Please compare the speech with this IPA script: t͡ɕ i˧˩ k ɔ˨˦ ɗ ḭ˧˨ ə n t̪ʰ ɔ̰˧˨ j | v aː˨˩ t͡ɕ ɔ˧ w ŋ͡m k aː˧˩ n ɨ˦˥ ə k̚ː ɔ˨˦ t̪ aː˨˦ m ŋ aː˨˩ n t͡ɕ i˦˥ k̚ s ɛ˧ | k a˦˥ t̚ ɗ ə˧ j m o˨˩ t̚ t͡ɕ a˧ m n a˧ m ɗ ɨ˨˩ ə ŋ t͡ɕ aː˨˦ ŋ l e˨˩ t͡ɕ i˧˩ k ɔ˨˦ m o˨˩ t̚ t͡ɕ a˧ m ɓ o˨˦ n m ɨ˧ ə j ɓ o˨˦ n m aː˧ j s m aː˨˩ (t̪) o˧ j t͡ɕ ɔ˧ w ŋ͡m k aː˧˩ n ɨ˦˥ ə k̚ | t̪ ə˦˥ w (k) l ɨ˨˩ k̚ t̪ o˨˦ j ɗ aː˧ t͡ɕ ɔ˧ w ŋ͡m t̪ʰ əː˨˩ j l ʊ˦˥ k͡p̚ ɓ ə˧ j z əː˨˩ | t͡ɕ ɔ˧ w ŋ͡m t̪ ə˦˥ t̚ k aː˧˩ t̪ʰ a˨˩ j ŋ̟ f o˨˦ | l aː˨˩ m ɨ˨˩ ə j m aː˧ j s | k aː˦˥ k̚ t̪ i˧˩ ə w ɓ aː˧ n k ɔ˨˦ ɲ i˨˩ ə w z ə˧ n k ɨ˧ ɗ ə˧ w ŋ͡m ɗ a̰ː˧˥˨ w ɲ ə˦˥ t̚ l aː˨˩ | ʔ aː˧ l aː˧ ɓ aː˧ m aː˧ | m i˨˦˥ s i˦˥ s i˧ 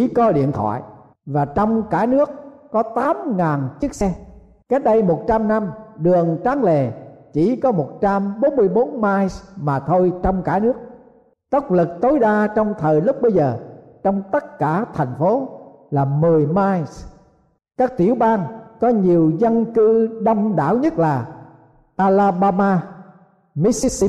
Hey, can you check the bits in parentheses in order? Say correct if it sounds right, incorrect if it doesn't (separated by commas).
incorrect, incorrect